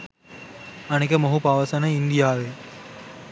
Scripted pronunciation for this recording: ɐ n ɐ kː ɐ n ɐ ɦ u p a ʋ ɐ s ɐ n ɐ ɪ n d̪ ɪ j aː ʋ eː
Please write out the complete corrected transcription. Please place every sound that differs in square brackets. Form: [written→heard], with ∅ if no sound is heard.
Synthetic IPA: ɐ n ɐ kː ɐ [n→m] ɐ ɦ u p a ʋ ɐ s ɐ n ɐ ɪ n d̪ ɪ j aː ʋ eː